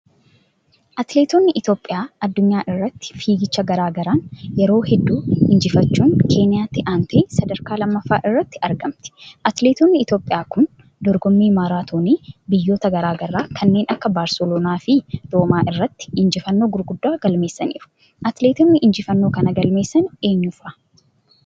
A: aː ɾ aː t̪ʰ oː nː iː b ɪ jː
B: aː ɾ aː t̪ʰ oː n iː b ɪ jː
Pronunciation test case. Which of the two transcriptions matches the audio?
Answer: B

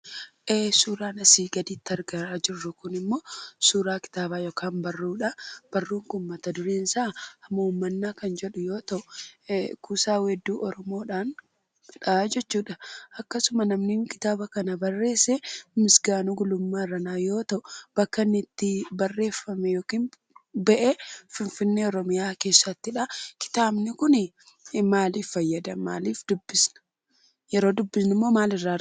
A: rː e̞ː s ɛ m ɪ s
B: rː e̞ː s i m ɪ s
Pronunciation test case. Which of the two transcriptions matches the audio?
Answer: A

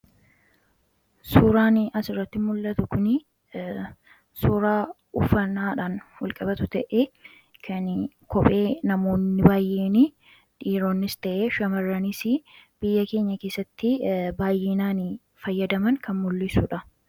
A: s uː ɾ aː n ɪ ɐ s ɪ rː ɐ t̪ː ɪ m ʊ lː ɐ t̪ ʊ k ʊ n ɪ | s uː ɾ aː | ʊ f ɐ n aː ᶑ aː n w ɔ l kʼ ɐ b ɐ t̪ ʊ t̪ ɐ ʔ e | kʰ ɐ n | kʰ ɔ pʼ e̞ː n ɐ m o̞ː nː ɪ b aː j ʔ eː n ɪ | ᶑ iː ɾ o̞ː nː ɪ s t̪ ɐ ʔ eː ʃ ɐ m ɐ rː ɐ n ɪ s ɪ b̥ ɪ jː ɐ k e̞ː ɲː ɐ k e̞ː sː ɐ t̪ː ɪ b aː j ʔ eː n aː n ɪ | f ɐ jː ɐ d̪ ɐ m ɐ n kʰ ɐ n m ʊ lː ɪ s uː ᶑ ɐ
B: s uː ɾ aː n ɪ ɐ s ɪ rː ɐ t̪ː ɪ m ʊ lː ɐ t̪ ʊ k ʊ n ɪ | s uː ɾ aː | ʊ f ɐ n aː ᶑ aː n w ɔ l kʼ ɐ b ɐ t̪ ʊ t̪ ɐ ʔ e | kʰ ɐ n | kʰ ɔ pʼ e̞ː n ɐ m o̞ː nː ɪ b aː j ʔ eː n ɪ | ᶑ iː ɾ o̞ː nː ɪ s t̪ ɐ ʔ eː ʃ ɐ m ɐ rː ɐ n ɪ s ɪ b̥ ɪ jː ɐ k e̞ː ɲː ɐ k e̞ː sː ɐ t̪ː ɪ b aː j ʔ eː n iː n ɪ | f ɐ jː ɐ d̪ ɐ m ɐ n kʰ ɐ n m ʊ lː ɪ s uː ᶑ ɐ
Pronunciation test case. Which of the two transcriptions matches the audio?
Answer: A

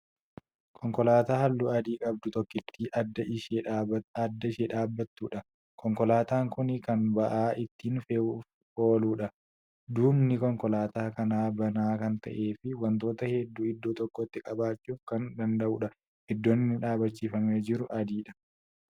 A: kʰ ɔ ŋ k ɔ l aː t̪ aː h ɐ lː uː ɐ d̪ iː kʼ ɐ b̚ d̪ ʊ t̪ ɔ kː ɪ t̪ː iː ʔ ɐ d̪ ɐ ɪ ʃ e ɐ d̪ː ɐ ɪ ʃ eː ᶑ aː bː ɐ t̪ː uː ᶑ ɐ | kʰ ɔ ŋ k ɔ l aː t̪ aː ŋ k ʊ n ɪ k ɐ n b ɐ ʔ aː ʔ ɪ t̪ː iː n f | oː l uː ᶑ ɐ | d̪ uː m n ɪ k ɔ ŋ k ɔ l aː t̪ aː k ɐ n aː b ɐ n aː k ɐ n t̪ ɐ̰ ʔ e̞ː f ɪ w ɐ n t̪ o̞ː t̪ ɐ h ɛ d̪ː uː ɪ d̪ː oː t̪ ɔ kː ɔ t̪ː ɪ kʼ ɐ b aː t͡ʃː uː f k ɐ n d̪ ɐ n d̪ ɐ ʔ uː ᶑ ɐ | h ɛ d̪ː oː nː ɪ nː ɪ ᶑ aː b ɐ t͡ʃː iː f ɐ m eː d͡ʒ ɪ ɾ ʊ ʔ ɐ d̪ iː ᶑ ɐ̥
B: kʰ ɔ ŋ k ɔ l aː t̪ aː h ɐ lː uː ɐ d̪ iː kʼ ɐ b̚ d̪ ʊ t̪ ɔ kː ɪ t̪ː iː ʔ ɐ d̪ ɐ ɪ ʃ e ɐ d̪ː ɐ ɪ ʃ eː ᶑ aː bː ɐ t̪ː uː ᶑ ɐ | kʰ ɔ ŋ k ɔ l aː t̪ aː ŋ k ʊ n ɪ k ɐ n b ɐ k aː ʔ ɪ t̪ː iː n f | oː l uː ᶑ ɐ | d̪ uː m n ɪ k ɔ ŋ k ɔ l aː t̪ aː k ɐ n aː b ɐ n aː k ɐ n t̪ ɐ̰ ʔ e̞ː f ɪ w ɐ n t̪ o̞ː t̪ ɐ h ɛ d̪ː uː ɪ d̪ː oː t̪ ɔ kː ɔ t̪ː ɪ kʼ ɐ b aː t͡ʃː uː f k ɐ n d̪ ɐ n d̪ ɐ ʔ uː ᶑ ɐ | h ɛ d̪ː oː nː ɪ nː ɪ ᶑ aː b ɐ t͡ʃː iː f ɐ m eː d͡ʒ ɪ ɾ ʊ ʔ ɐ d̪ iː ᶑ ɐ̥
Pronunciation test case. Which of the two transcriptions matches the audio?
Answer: A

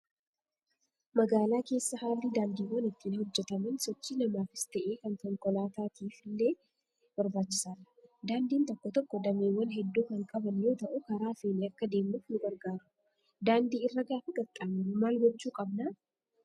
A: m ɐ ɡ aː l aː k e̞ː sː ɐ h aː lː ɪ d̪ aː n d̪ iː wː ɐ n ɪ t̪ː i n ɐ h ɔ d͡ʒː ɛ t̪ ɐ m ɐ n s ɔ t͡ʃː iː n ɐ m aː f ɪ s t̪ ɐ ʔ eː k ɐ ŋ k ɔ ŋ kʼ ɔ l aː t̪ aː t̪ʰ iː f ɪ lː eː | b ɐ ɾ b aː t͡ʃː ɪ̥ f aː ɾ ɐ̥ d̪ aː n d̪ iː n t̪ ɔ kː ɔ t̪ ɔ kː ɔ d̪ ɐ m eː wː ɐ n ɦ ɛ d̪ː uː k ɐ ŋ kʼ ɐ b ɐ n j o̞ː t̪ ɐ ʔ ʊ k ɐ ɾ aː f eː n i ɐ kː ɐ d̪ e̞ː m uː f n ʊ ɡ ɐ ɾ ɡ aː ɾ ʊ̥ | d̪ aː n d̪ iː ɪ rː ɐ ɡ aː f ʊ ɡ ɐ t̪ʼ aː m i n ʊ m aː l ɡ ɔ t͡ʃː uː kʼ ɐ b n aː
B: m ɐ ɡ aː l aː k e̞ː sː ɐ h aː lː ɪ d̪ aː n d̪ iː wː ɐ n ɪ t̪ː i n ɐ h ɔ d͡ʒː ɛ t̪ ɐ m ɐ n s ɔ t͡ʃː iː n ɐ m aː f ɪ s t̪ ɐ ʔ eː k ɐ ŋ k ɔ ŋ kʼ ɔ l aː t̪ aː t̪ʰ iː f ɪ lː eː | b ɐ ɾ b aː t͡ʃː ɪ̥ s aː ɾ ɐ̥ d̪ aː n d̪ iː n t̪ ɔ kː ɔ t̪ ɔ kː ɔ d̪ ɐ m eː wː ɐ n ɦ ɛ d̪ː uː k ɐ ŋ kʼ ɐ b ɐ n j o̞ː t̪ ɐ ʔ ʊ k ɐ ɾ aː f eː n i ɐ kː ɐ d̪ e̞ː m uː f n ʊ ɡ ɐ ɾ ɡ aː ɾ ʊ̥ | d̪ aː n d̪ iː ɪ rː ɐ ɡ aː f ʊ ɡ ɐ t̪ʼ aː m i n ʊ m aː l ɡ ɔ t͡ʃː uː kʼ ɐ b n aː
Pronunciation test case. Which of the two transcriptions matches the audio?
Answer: B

